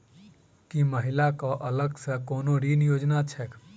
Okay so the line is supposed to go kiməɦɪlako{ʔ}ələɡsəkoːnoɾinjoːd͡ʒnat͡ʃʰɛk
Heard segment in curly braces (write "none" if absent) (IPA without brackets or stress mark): ʔ